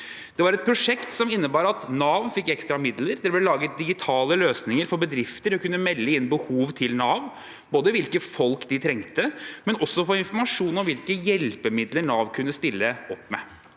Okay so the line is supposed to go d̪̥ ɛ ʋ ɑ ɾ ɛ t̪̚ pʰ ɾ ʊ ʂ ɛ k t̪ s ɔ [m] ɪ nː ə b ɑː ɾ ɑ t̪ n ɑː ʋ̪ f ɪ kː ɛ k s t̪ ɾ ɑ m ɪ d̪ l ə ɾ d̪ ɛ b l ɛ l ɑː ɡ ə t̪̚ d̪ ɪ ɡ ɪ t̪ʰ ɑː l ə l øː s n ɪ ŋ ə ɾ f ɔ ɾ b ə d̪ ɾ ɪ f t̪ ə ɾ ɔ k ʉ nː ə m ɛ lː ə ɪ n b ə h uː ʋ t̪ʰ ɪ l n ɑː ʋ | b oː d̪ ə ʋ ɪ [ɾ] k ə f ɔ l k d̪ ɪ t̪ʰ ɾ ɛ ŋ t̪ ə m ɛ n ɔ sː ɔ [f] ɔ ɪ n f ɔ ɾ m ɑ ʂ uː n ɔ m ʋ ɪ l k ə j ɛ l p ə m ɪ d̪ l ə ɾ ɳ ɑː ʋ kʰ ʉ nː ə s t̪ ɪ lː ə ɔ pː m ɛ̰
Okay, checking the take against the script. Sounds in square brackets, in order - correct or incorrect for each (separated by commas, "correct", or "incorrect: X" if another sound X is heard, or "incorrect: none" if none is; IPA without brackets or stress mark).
correct, incorrect: l, correct